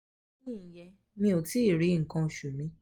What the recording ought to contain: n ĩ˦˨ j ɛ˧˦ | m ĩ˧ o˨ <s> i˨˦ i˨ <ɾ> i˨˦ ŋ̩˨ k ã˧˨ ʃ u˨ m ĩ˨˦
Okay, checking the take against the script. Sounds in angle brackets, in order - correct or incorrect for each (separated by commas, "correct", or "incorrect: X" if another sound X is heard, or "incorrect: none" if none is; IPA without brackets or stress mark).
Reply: incorrect: t, correct